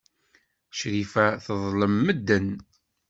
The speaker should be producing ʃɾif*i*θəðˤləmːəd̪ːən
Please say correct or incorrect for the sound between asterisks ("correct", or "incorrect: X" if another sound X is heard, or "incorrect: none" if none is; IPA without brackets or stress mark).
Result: incorrect: æ